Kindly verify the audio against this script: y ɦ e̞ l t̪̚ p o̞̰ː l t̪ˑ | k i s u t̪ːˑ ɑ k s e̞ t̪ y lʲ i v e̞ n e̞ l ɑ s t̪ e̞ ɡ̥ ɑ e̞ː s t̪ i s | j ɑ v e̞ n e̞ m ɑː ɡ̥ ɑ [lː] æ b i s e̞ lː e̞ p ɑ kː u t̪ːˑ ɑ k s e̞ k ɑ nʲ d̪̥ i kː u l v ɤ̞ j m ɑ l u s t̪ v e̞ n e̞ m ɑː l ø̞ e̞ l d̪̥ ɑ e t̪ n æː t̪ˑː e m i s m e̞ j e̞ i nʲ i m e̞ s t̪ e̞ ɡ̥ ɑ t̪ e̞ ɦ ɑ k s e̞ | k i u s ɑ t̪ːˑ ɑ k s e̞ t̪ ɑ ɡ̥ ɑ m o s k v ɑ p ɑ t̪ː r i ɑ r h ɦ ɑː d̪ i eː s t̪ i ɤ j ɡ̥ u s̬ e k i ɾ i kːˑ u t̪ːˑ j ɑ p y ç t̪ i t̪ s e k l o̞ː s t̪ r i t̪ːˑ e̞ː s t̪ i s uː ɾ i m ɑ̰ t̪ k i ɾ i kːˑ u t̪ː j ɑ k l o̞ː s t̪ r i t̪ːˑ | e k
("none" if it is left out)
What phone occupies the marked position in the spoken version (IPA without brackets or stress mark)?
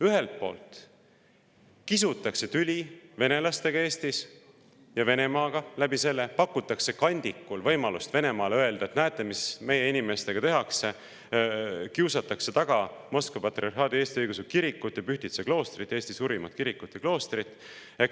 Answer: l